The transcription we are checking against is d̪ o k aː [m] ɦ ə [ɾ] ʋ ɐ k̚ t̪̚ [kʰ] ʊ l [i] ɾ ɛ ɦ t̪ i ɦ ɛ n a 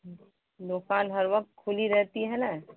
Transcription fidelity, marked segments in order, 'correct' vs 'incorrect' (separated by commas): incorrect, correct, correct, correct